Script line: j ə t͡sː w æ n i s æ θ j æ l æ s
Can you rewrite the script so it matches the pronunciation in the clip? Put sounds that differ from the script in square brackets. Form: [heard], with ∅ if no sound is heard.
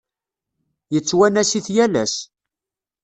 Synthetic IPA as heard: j ə t͡sː w æ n [æ] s [i] θ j æ l æ s